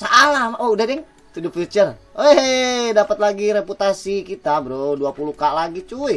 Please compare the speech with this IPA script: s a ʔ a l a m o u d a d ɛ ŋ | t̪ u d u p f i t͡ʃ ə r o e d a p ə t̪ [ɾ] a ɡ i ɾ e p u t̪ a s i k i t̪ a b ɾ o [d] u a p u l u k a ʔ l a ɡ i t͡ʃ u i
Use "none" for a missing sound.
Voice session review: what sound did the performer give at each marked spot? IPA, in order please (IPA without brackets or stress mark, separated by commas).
l, d